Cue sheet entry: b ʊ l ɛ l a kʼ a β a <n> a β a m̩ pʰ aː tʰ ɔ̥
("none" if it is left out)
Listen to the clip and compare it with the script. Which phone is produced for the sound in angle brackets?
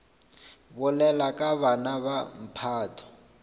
n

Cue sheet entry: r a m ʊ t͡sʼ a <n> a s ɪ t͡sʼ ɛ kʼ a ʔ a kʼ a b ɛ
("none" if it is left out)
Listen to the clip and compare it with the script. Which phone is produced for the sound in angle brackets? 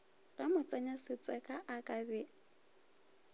ɲ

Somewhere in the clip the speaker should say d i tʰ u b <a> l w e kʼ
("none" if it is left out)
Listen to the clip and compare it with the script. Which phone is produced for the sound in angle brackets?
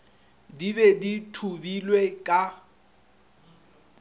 i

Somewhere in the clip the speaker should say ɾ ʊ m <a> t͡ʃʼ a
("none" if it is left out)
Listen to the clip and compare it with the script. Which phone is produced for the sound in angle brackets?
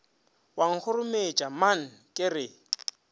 e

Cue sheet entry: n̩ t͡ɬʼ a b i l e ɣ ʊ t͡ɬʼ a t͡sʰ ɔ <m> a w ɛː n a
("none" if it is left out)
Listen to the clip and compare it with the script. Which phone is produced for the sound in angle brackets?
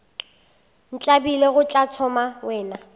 m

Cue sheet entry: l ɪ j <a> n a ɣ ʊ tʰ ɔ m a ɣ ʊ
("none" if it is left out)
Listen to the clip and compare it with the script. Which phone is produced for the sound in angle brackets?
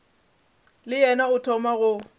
ɛ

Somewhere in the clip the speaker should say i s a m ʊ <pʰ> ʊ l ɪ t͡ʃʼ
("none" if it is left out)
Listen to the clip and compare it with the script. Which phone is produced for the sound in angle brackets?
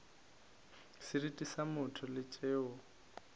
tʰ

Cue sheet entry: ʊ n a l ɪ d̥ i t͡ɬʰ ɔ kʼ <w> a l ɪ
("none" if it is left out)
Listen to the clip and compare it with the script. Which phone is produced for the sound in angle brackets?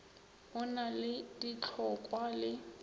w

